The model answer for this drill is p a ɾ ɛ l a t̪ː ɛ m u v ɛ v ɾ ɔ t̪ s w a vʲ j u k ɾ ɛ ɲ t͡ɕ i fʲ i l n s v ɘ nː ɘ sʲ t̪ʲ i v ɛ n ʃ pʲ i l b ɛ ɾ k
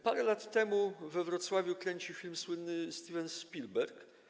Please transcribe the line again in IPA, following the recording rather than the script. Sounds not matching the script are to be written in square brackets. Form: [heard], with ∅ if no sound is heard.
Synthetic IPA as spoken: p a ɾ ɛ l a t̪ː ɛ m u v ɛ v ɾ ɔ t̪ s w a vʲ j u k ɾ ɛ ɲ t͡ɕ i fʲ i l [m] s [w] ɘ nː ɘ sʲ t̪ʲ i v ɛ n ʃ pʲ i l b ɛ ɾ k